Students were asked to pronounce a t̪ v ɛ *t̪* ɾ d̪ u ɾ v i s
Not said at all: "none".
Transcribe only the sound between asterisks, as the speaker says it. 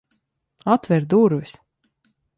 none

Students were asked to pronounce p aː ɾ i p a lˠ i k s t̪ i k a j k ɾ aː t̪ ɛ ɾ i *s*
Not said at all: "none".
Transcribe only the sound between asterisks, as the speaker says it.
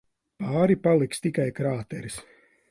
s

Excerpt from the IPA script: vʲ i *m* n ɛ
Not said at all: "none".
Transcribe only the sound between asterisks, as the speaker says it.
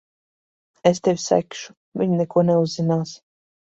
ɲ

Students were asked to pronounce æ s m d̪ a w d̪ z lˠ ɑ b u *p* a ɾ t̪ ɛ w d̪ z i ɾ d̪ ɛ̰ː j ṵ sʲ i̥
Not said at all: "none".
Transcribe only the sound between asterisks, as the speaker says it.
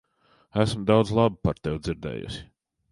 p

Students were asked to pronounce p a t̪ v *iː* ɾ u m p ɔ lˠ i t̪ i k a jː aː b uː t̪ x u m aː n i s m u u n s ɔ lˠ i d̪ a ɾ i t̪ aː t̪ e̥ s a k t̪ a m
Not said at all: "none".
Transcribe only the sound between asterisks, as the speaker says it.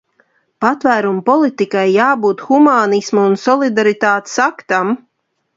æː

